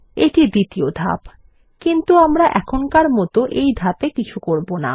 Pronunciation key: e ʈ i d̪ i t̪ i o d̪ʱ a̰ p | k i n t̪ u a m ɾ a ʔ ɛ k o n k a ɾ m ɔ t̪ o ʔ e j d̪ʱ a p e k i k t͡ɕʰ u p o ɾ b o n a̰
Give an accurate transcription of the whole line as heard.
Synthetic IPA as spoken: e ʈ i d̪ i t̪ i o d̪ʱ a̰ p | k i n t̪ u a m ɾ a ʔ ɛ kʰ o n k a ɾ m ɔ t̪ o ʔ e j d̪ʱ a p e k i t͡ɕʰ u k o ɾ b o n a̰

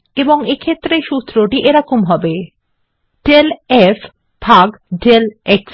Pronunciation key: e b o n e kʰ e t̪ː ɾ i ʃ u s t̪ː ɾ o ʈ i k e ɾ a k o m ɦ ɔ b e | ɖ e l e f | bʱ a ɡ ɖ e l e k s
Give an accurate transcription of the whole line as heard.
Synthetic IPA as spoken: e b o ŋ e kʰ e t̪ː ɾ e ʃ u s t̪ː ɾ o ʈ i ʔ e ɾ a k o m ɦ ɔ b e | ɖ e l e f | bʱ a ɡ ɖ e l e k s

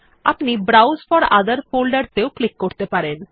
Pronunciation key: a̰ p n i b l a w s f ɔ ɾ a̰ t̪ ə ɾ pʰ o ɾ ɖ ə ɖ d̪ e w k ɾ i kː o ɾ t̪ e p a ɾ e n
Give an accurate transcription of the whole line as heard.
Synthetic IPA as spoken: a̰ p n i b ɾ a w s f ɔ ɾ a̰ d̪ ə ɾ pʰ o l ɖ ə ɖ t̪ e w k l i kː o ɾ t̪ e p a ɾ e n

